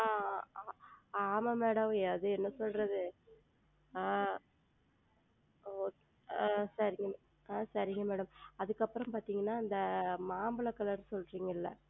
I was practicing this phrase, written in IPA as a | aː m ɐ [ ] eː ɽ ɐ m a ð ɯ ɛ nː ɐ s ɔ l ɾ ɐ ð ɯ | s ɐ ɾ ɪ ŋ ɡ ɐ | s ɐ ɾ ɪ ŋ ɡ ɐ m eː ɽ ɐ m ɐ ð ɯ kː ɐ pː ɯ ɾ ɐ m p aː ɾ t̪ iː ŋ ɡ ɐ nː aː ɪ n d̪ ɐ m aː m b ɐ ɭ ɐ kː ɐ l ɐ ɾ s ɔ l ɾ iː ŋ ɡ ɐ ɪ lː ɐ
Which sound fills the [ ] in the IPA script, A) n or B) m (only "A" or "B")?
B